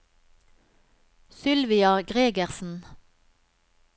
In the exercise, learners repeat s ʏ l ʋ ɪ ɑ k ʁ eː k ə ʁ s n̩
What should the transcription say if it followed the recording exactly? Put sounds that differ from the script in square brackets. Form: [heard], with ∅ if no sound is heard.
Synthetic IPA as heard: s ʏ l ʋ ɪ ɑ [ɡ] ʁ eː [ɡ] ə ʁ s n̩